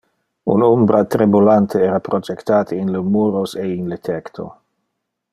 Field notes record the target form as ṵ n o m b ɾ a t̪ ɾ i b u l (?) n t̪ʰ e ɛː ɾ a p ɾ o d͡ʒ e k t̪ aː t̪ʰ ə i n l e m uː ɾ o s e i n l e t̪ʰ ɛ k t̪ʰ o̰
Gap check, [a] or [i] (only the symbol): a